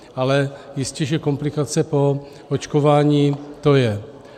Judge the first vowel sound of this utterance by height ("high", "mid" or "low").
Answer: low